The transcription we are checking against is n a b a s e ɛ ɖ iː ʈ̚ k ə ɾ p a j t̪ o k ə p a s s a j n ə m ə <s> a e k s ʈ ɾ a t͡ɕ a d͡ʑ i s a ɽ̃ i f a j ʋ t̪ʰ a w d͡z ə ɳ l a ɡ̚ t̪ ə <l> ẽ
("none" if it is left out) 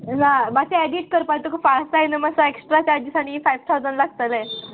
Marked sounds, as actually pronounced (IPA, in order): s, l

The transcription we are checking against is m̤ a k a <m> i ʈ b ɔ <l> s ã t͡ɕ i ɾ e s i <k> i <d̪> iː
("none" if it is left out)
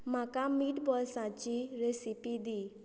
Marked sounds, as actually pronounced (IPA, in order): m, l, p, d̪

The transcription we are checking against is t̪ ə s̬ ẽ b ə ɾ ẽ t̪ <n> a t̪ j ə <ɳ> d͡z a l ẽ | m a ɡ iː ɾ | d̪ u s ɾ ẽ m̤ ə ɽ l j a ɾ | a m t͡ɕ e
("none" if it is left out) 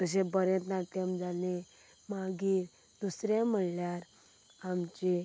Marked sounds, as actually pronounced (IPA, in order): n, m

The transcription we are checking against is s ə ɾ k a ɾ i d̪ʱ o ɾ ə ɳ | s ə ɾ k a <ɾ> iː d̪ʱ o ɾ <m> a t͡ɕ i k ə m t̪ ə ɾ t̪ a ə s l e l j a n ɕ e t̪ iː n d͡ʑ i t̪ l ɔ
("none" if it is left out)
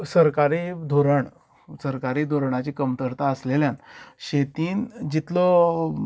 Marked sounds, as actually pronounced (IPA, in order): ɾ, ɳ

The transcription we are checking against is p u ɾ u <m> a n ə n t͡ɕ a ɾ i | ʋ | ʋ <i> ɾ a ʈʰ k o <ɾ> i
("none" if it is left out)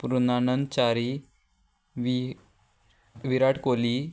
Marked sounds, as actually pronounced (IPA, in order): n, i, l

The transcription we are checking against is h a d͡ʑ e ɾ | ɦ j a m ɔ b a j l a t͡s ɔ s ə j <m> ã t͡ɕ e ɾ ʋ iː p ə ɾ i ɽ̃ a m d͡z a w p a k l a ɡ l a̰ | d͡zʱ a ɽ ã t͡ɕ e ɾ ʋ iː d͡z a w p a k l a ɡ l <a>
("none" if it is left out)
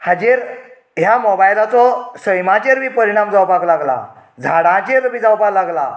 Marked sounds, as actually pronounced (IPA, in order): m, a

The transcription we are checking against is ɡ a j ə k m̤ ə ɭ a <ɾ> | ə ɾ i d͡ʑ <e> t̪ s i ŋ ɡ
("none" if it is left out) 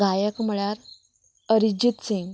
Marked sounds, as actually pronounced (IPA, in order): ɾ, i

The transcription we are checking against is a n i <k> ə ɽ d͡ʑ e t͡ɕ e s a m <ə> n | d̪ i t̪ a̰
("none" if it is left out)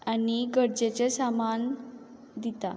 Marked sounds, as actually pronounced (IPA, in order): ɡ, a

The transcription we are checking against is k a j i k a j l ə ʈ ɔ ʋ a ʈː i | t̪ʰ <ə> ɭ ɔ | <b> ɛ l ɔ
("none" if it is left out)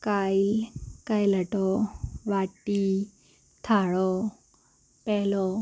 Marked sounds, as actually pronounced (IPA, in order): a, p

